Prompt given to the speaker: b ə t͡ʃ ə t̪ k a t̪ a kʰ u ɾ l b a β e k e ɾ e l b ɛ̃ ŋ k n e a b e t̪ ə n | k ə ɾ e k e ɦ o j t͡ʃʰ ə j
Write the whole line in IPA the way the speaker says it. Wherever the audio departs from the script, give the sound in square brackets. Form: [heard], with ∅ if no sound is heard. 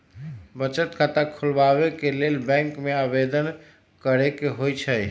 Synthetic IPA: b ə t͡ʃ ə t̪ k a t̪ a kʰ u [∅] l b a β e k e [l] e l b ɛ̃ ŋ k [m] e a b e [d̪] ə n | k ə ɾ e k e ɦ o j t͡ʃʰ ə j